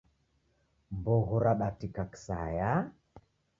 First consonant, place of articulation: labial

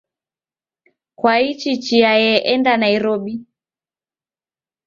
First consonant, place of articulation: velar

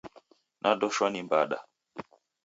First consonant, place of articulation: alveolar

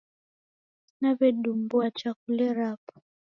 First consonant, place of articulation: alveolar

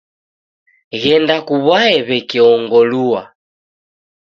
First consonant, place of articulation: velar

